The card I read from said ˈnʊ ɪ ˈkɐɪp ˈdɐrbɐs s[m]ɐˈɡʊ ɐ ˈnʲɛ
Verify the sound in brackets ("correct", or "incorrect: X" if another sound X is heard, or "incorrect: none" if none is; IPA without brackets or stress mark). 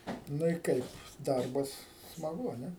correct